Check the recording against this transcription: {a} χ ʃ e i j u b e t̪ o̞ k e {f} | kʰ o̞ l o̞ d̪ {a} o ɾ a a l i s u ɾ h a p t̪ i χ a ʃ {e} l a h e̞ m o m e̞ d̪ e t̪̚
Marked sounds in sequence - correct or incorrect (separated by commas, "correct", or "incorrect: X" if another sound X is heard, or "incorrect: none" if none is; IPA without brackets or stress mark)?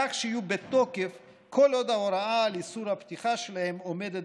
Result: correct, correct, correct, correct